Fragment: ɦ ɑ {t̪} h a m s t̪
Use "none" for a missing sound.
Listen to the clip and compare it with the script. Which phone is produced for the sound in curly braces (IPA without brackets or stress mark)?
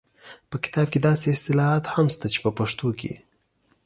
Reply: t̪